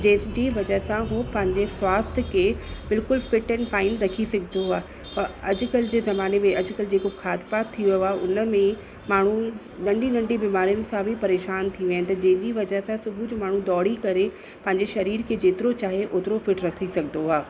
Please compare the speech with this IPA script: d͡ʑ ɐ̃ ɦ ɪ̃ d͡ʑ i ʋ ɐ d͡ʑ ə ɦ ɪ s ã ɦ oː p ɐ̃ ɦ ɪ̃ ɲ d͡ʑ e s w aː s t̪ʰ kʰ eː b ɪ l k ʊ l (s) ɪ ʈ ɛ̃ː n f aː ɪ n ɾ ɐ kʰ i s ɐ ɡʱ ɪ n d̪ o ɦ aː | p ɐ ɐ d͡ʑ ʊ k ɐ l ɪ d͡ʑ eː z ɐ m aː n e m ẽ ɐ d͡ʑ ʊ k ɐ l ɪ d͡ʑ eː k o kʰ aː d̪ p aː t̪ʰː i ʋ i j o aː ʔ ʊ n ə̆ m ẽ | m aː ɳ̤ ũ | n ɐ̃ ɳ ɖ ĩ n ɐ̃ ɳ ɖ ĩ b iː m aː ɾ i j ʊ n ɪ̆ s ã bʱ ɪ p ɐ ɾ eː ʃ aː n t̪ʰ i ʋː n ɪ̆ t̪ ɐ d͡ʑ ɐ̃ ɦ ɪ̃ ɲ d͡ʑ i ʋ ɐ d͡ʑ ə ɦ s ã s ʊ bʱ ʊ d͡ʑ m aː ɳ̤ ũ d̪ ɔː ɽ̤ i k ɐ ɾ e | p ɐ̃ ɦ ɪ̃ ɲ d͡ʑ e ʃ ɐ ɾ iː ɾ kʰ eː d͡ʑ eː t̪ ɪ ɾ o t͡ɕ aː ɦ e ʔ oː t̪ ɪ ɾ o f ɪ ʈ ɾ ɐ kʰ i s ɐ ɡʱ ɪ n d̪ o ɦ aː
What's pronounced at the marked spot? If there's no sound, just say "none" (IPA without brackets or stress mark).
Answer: f